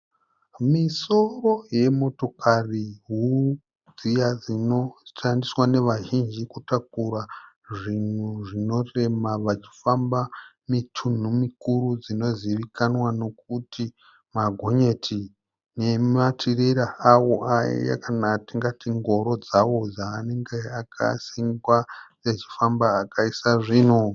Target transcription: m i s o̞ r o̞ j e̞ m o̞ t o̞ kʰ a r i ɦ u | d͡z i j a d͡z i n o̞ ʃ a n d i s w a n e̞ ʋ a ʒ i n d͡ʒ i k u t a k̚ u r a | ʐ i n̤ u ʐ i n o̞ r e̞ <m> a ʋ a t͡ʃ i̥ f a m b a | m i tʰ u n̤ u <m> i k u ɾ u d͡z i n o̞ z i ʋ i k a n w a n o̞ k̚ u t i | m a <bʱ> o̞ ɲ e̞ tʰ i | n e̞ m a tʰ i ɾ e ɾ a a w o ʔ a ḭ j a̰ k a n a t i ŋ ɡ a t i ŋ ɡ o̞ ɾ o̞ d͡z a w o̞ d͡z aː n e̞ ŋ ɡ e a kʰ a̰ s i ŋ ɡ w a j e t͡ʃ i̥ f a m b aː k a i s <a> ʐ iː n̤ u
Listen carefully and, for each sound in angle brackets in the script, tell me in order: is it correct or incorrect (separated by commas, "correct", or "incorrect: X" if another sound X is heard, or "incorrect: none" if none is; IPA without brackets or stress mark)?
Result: correct, correct, incorrect: ɡʱ, correct